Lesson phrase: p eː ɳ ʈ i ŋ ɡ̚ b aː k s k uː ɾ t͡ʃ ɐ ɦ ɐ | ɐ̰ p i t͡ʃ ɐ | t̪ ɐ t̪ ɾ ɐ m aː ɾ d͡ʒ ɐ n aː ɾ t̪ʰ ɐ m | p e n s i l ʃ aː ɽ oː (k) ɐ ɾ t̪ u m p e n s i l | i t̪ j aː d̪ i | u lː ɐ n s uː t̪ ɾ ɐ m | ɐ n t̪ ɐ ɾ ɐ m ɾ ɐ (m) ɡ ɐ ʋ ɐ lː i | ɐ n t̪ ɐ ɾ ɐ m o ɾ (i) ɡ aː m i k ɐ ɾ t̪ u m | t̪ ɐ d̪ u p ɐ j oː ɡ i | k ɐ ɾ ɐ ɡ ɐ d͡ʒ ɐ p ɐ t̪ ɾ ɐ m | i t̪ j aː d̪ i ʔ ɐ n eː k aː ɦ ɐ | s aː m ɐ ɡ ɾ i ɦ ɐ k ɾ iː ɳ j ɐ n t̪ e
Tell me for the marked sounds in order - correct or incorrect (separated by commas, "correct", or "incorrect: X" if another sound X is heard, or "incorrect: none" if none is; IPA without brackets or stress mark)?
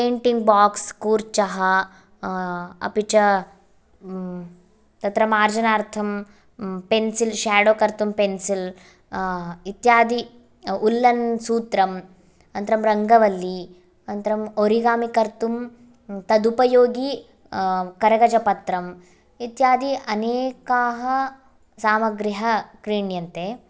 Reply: correct, incorrect: ŋ, correct